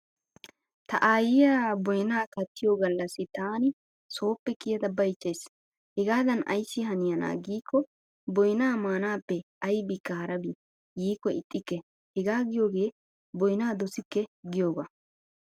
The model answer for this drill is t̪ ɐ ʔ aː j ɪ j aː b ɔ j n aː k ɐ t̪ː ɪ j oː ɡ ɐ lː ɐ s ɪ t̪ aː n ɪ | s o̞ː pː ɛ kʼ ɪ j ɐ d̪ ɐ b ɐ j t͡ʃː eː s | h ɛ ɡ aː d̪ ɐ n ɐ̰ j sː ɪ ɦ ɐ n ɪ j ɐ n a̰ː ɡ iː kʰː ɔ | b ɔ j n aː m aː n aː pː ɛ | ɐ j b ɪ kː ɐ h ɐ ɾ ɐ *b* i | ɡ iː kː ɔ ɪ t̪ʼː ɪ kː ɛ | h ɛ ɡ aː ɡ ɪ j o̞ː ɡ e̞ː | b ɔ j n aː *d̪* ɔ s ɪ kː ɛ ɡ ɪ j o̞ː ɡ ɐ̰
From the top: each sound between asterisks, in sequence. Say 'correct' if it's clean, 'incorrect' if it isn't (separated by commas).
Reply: correct, correct